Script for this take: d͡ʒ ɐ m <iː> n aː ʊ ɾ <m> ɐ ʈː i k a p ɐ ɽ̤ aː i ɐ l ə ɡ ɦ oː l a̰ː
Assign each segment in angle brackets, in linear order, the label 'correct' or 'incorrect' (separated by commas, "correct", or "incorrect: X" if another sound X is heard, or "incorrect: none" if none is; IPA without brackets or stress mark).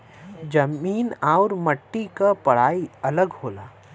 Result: correct, correct